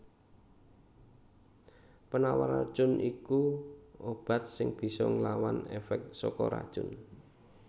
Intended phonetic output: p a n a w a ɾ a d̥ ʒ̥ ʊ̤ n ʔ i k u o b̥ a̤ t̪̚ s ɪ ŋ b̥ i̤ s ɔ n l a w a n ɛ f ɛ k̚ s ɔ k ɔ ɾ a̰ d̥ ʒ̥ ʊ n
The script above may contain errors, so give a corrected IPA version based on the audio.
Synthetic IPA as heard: p ə n a w a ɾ a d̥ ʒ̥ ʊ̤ n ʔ i k u o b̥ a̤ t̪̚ s ɪ ŋ b̥ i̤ s ɔ ŋ l a w a n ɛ f ɛ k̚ s ɔ k ɔ ɾ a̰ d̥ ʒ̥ ʊ n